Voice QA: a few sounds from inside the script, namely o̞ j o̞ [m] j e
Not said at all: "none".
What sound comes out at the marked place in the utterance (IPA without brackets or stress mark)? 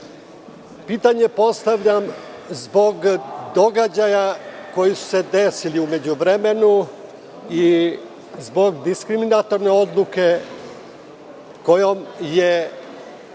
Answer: m